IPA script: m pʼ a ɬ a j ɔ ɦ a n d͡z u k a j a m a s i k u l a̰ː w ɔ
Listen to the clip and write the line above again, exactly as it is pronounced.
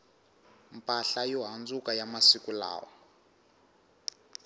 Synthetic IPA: m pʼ a ɬ a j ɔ ɦ a n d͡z u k a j a m a s i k u l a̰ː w ɔ